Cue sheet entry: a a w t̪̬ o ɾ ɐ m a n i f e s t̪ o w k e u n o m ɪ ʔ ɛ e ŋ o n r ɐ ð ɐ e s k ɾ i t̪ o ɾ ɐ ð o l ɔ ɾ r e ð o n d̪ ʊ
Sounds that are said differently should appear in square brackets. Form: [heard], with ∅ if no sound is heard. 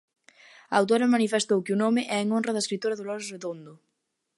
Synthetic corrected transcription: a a w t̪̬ o ɾ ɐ m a n i f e s t̪ o w k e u n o m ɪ ʔ ɛ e ŋ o n r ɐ ð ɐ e s k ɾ i t̪ o ɾ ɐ ð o l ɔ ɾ r e ð o n d̪ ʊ